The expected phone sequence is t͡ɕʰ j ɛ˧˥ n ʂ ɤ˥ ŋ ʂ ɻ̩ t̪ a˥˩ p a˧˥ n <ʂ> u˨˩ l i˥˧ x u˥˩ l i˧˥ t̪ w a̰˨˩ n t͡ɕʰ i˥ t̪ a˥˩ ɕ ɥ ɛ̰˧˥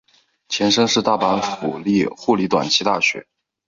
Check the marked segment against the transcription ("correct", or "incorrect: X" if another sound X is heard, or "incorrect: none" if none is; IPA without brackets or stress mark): incorrect: f